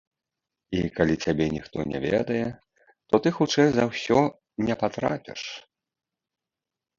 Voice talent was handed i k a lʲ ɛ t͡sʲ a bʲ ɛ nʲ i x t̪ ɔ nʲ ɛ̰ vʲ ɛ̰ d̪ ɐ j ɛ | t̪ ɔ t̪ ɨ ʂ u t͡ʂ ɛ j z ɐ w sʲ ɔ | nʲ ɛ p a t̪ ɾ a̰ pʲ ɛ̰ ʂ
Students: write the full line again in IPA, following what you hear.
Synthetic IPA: i k a lʲ i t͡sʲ a bʲ ɛ nʲ i x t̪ ɔ nʲ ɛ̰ vʲ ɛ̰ d̪ ɐ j ɛ | t̪ ɔ t̪ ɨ x u t͡ʂ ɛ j z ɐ w sʲ ɔ | nʲ ɛ p a t̪ ɾ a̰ pʲ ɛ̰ ʂ